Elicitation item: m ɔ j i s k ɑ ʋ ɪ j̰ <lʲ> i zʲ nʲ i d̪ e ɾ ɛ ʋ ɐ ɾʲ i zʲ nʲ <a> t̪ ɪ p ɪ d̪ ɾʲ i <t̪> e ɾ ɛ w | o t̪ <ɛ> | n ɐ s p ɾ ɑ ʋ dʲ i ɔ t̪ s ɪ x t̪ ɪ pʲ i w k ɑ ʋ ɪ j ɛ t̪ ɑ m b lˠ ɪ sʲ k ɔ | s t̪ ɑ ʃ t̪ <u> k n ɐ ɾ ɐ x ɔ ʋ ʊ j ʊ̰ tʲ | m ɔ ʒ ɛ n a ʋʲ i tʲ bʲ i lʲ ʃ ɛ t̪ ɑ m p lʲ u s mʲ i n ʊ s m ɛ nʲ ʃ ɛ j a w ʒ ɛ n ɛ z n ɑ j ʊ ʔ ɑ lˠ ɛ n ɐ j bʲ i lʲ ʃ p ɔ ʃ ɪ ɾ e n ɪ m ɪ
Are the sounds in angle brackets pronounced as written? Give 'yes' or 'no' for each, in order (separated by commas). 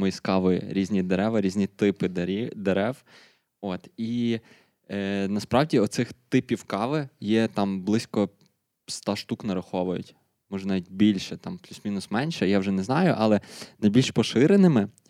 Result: no, no, no, no, yes